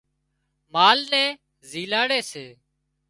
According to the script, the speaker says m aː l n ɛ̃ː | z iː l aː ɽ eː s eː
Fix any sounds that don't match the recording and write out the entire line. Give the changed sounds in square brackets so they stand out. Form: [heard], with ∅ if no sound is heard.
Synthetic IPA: m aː l n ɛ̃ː | z iː l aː ɽ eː s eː